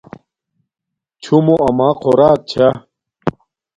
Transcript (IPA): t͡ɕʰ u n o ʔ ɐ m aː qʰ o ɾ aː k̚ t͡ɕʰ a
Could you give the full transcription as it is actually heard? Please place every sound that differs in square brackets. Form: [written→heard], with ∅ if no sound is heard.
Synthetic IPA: t͡ɕʰ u [n→m] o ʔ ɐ m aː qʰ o ɾ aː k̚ t͡ɕʰ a